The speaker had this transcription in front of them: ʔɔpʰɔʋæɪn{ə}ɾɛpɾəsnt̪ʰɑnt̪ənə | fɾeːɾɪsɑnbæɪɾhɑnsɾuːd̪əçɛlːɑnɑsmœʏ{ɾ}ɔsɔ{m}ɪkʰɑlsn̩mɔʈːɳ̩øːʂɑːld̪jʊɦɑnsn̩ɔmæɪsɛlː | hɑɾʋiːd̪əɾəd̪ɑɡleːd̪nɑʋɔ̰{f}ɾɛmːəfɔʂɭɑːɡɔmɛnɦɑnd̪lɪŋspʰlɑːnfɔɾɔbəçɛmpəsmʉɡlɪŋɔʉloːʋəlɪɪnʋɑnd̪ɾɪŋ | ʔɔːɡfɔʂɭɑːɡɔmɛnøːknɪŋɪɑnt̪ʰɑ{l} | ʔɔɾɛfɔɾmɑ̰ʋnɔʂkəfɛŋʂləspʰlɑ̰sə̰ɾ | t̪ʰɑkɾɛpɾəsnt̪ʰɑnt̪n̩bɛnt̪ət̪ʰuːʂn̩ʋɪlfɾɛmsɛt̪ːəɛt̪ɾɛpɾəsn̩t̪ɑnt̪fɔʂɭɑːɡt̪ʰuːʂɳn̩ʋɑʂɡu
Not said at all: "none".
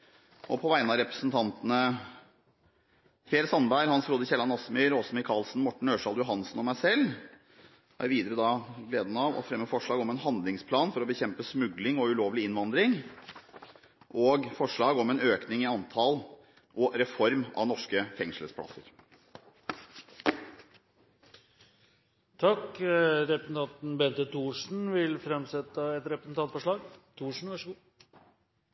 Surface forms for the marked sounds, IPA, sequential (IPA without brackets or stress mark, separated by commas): ɑ, ɾ, m, f, l